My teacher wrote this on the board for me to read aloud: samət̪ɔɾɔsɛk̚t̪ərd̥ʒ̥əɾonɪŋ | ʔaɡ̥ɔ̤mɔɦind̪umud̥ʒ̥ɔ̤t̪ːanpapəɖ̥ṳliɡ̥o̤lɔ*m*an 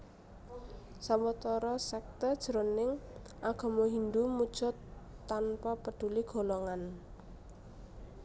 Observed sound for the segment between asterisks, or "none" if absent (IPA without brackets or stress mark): ŋ